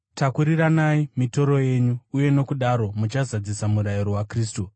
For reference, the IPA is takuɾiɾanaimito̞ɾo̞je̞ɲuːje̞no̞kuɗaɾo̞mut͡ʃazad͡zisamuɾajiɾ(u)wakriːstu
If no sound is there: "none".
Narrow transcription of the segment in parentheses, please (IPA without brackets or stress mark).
o